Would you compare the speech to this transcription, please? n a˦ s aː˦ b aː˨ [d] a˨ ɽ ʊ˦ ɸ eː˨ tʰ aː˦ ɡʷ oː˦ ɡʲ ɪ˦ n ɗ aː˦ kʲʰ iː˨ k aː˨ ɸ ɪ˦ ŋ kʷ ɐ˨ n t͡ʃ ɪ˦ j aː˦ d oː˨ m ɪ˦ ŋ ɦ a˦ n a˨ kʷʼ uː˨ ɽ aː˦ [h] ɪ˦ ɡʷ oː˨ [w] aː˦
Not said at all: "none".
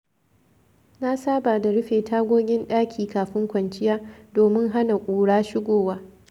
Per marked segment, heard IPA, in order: d, ʃ, w

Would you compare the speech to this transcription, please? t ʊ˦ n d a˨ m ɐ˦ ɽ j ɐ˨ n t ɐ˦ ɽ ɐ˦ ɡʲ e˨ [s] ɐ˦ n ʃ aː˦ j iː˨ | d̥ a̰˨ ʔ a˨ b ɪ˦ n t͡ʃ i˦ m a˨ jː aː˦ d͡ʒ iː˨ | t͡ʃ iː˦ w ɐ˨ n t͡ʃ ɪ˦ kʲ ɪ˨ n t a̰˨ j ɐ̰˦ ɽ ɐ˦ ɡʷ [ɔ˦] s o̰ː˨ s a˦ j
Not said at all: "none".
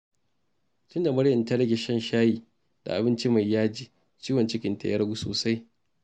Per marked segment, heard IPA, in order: ʃ, u˦

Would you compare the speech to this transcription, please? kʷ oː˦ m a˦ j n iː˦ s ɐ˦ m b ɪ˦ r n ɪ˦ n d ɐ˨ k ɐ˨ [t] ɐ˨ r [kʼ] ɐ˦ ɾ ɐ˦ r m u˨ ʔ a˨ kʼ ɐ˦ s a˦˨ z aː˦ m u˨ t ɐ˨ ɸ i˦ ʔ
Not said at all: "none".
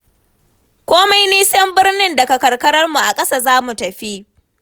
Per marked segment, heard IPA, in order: k, k

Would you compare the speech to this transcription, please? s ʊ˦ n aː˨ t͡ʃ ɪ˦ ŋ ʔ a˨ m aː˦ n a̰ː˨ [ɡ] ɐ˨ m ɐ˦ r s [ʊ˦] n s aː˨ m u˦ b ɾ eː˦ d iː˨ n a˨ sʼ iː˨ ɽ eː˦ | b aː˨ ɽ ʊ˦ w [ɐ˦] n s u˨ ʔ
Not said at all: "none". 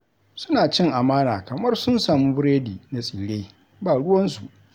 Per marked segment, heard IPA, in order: k, ʊ˦, ɐ˦

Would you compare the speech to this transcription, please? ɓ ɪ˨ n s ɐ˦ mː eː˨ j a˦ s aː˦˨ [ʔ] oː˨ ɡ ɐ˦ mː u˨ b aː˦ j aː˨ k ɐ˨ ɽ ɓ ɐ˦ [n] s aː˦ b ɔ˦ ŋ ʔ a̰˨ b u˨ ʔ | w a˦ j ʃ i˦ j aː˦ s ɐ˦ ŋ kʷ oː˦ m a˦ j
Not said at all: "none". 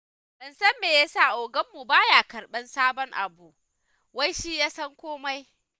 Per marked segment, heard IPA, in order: ʔ, n

